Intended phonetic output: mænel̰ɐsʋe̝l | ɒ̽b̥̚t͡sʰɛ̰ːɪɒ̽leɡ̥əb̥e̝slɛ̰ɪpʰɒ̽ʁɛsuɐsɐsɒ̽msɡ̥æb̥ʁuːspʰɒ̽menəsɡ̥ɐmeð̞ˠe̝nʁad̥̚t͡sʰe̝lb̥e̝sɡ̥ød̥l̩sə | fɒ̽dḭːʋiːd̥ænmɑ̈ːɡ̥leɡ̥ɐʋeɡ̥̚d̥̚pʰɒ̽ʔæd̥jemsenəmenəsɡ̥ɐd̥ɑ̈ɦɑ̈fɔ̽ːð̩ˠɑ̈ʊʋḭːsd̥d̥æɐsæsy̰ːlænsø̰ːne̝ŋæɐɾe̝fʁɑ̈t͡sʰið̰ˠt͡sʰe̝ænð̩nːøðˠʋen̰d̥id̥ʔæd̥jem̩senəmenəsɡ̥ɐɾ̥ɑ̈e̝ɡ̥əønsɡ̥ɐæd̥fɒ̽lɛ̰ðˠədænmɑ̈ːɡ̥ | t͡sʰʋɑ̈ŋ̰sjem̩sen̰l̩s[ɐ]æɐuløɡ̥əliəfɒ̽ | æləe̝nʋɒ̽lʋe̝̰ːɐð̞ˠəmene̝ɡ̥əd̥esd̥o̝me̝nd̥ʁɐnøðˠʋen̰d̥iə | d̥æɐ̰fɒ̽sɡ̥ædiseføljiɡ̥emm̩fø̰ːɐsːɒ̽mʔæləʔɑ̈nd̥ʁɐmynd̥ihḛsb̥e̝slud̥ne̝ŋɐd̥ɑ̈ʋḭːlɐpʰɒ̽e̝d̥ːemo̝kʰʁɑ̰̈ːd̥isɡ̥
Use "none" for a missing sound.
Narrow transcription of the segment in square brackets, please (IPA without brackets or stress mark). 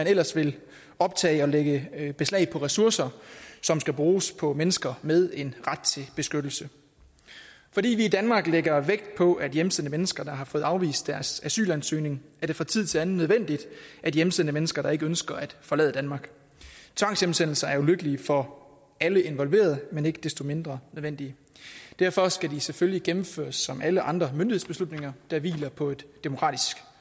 ɐ